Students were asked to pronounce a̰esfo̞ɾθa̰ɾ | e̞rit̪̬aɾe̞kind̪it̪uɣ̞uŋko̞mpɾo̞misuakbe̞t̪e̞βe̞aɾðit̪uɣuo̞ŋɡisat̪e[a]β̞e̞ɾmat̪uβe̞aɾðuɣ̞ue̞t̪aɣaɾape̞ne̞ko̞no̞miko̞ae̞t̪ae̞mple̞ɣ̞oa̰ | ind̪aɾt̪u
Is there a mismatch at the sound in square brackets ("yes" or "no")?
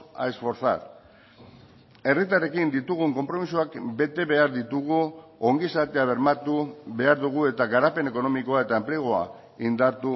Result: no